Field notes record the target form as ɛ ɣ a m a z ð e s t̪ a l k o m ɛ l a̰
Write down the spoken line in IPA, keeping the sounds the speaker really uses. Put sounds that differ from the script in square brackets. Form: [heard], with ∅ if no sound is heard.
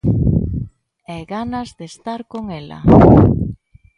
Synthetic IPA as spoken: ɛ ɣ a [n] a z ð e s t̪ a [ɾ] k o [ŋ] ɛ l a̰